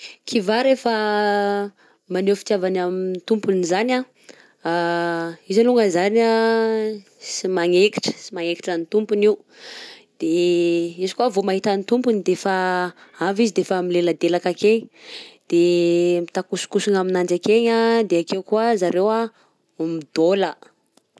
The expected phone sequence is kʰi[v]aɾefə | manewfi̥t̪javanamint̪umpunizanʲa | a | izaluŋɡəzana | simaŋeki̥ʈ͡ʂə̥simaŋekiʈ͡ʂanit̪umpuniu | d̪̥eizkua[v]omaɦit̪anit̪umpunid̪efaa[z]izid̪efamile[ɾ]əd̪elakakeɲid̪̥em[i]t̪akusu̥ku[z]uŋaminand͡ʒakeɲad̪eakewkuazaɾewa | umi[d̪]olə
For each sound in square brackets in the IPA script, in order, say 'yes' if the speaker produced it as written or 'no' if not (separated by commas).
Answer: yes, yes, no, no, yes, no, yes